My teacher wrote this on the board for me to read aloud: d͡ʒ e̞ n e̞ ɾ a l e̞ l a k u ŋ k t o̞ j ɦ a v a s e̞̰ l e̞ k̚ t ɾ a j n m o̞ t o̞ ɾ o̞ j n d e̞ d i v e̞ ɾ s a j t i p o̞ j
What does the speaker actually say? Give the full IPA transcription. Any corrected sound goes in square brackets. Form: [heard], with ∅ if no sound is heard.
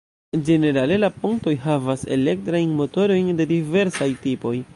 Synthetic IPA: d͡ʒ e̞ n e̞ ɾ a l e̞ l a [p] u ŋ k t o̞ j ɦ a v a s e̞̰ l e̞ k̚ t ɾ a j n m o̞ t o̞ ɾ o̞ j n d e̞ d i v e̞ ɾ s a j t i p o̞ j

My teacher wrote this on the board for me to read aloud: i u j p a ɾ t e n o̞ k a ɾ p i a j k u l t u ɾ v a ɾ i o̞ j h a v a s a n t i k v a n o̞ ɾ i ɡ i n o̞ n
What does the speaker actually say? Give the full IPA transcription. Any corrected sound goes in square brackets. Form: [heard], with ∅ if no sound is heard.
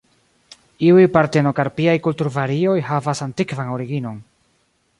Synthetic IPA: i u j p a ɾ t e n o̞ k a ɾ p i a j k u l t u ɾ v a ɾ i o̞ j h a v a s a n t i k v a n o̞ ɾ i ɡ i n o̞ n

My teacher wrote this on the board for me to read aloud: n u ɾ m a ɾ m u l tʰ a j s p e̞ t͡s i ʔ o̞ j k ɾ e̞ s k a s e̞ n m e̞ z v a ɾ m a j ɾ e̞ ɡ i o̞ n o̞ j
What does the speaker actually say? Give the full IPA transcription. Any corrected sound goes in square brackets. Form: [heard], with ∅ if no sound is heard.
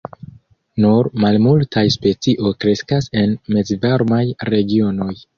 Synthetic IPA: n u ɾ m a [l] m u l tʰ a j s p e̞ t͡s i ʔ o̞ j k ɾ e̞ s k a s e̞ n m e̞ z v a ɾ m a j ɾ e̞ ɡ i o̞ n o̞ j

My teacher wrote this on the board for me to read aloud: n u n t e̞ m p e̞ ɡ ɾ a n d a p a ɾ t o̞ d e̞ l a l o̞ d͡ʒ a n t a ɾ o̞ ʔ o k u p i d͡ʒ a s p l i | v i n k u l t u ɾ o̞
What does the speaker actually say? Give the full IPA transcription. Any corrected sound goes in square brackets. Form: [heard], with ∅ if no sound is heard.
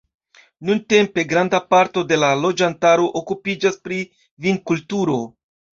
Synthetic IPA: n u n t e̞ m p e̞ ɡ ɾ a n d a p a ɾ t o̞ d e̞ l a l o̞ d͡ʒ a n t a ɾ o̞ ʔ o k u p i d͡ʒ a s p [ɾ] i | v i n k u l t u ɾ o̞

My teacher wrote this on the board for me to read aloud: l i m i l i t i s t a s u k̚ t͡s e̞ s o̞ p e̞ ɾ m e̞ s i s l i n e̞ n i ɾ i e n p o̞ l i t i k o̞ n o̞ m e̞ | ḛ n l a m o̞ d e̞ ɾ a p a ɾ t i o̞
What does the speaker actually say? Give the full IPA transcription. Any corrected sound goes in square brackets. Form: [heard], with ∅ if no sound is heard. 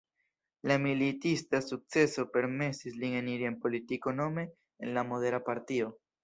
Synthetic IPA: l [a] m i l i t i s t a s u k̚ t͡s e̞ s o̞ p e̞ ɾ m e̞ s i s l i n e̞ n i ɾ i e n p o̞ l i t i k o̞ n o̞ m e̞ | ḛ n l a m o̞ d e̞ ɾ a p a ɾ t i o̞

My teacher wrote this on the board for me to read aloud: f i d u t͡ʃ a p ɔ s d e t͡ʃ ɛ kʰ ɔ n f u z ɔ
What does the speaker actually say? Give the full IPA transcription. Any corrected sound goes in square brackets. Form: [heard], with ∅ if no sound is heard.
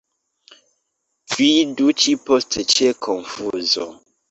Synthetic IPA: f i d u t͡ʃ [i] p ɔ s [t] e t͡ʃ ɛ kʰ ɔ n f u z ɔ

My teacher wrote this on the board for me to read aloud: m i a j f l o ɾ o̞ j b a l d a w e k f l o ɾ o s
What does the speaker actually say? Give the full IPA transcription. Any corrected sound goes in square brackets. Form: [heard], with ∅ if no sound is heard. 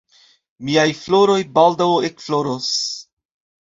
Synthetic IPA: m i a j f l o ɾ o̞ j b a l d a w e k f l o ɾ o s

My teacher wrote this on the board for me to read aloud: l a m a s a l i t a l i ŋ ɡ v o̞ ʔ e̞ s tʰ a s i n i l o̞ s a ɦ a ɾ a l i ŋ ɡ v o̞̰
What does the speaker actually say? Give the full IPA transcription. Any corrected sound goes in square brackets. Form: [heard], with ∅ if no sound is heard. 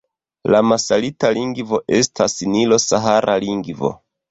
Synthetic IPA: l a m a s a l i t a l i ŋ ɡ v o̞ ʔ e̞ s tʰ a s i n i l o̞ s a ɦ a ɾ a l i ŋ ɡ v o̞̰

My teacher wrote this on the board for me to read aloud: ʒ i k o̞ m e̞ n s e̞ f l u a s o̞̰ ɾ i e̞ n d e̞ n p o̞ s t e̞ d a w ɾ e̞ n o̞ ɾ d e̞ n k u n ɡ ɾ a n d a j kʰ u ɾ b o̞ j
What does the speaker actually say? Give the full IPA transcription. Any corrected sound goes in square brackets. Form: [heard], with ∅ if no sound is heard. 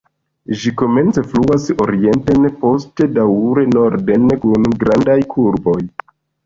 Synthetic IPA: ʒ i k o̞ m e̞ n [t͡s] e̞ f l u a s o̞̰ ɾ i e̞ n [t] e̞ n p o̞ s t e̞ d a w ɾ e̞ n o̞ ɾ d e̞ n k u n ɡ ɾ a n d a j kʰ u ɾ b o̞ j

